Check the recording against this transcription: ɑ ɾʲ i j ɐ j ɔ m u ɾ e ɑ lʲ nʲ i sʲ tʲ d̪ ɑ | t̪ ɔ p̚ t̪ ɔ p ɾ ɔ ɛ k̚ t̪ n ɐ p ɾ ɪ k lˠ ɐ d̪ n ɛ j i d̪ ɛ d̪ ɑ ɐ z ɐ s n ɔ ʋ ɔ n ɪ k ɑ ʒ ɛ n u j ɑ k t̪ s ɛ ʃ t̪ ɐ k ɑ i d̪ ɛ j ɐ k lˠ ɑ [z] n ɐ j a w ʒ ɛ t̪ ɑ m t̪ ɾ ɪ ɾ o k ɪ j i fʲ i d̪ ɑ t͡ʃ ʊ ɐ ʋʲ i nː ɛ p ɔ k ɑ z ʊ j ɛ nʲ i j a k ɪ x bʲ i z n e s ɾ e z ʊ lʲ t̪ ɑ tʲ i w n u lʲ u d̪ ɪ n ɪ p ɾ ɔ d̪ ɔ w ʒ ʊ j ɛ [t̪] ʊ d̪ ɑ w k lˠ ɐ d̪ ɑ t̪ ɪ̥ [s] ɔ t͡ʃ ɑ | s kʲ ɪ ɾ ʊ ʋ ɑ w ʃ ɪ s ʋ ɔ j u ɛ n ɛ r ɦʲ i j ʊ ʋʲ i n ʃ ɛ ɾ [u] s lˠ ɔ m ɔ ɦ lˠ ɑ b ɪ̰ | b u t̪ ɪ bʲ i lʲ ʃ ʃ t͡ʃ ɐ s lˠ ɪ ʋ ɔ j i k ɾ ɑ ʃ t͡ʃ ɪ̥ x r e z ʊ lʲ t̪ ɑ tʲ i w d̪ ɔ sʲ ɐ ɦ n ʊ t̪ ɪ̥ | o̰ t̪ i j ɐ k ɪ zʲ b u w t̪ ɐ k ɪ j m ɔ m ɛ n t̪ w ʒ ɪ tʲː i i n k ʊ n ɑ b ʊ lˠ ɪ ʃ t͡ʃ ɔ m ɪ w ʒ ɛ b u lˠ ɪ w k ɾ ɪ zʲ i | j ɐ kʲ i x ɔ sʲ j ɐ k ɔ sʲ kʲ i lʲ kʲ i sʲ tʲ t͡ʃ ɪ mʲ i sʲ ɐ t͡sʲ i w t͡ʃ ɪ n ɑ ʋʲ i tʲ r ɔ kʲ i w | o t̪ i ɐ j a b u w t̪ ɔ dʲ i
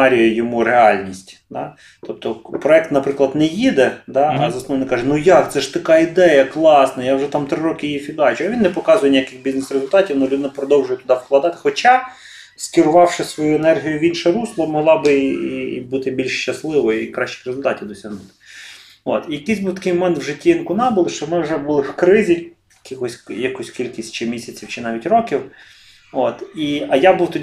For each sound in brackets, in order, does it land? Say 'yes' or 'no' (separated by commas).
no, yes, no, yes